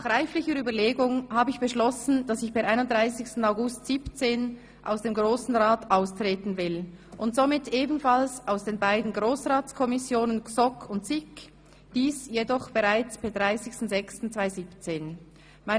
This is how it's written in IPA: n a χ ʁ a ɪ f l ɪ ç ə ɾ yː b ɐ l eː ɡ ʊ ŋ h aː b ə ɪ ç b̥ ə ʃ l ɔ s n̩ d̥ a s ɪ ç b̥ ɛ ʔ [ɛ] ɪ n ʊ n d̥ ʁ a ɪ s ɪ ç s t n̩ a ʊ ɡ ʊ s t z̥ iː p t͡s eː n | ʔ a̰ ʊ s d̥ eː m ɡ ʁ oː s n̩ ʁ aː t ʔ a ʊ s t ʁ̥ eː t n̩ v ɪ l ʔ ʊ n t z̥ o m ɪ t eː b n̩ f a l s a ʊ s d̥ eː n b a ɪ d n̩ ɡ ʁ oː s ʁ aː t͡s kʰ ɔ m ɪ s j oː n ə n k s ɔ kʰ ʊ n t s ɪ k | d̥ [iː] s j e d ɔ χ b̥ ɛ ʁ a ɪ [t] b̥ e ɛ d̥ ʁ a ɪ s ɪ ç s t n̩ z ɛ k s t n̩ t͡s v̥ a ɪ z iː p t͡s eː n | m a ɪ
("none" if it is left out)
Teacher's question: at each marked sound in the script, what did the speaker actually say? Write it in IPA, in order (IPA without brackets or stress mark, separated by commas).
a, iː, t͡s